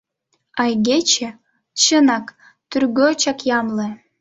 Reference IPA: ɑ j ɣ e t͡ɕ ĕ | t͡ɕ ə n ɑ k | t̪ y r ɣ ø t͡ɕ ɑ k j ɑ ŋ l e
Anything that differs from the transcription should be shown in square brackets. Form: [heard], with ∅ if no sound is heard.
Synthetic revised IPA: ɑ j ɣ e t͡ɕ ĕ | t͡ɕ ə n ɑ k | t̪ y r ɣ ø t͡ɕ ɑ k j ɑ [m] l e